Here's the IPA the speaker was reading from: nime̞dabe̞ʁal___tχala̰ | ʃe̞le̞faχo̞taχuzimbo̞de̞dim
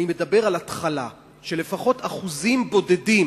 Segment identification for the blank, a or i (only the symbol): a